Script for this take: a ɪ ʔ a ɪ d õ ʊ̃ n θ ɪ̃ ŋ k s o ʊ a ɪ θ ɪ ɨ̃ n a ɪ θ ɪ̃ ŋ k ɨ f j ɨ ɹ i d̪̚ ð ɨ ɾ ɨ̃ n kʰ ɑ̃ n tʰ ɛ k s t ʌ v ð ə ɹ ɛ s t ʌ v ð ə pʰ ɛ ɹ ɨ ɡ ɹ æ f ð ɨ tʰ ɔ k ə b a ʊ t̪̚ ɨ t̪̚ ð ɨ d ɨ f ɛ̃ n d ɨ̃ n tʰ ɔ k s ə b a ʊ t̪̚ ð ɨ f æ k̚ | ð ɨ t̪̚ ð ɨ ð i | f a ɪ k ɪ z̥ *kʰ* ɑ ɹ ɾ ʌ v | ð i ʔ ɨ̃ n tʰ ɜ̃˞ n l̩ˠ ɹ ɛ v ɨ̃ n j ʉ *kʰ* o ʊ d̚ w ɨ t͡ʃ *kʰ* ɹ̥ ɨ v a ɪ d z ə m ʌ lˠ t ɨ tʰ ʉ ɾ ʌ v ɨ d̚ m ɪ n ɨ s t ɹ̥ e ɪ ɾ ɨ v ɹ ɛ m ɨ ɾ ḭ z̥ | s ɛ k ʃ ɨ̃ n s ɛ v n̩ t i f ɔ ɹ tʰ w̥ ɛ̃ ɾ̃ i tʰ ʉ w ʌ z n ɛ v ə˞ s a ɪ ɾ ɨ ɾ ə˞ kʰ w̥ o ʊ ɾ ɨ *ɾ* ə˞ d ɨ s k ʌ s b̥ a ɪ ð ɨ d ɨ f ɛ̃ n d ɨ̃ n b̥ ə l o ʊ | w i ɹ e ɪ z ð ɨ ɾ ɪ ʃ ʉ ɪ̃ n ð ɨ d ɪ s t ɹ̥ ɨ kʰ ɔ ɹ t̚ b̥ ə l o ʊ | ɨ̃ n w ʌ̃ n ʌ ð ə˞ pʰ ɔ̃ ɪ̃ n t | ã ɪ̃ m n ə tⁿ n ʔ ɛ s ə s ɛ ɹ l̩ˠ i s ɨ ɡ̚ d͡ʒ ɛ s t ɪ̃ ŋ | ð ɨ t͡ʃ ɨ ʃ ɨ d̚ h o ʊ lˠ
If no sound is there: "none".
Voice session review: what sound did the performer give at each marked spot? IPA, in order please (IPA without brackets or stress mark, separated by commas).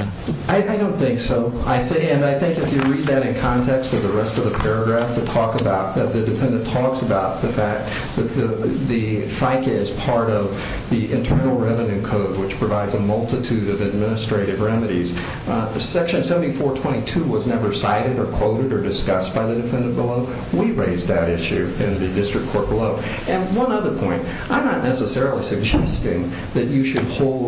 pʰ, kʰ, pʰ, ɾ